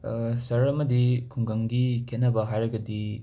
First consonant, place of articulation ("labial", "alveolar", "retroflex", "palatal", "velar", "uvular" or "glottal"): alveolar